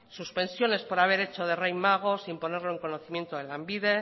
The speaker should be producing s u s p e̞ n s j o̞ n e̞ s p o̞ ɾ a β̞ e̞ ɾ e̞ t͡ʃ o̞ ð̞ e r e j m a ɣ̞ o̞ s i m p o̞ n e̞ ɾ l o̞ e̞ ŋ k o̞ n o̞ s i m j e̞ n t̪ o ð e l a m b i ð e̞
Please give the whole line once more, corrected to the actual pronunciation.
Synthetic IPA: s u s p e̞ n s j o̞ n e̞ s p o̞ ɾ a β̞ e̞ ɾ e̞ t͡ʃ o̞ ð̞ e r e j m a ɣ̞ o̞ s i m p o̞ n e̞ ɾ l o̞ e̞ ŋ k o̞ n o̞ θ i m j e̞ n t̪ o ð e l a m b i ð e̞